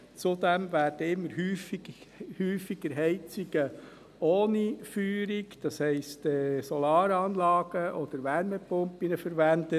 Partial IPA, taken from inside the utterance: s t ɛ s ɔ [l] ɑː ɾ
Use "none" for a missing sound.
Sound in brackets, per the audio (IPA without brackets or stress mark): l